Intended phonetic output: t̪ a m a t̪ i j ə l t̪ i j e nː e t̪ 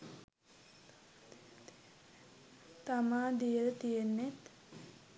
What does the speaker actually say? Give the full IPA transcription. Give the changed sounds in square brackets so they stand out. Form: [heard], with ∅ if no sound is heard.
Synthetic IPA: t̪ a m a [d̪] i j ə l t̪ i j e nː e t̪